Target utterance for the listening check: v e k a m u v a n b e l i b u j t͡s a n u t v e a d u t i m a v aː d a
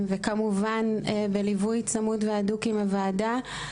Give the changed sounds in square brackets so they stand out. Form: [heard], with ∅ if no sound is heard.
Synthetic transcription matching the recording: v e k a m u v a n b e l i [v] u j t͡s a [m] u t v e a d u [k] i m a v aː d a